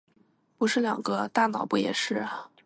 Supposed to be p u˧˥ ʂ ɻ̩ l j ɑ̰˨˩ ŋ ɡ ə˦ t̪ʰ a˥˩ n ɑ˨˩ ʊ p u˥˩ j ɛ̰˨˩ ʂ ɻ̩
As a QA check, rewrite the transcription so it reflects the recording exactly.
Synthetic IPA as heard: p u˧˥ ʂ ɻ̩ l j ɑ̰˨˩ ŋ ɡ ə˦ t̪ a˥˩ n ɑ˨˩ ʊ p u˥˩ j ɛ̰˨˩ ʂ ɻ̩